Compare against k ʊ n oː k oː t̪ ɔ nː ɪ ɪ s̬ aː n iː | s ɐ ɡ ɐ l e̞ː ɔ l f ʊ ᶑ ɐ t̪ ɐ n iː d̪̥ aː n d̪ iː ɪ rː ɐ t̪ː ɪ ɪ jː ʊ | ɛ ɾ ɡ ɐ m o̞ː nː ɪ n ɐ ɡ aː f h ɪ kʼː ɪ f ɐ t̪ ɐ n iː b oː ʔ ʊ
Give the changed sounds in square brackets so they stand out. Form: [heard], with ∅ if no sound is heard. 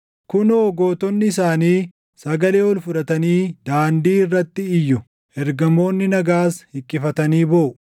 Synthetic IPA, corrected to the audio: k ʊ n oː [ɡ] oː t̪ ɔ nː ɪ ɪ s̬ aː n iː | s ɐ ɡ ɐ l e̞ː ɔ l f ʊ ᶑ ɐ t̪ ɐ n iː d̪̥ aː n d̪ iː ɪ rː ɐ t̪ː ɪ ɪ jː ʊ | ɛ ɾ ɡ ɐ m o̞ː nː ɪ n ɐ ɡ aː [s] h ɪ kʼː ɪ f ɐ t̪ ɐ n iː b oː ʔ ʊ